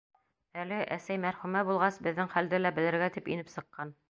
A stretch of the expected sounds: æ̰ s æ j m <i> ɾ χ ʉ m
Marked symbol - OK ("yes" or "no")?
no